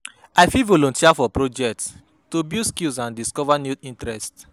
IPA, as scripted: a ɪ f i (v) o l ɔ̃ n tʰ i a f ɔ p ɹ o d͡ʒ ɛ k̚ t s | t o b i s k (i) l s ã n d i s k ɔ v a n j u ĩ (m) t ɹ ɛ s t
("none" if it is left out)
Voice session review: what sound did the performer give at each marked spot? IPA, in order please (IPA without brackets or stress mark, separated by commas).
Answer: v, i, n